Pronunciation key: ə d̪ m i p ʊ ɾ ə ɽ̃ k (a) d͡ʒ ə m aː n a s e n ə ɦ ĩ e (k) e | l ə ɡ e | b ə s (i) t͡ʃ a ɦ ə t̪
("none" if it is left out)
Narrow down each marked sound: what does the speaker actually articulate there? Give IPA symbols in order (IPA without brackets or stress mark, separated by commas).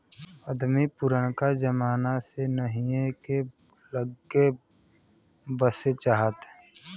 a, k, e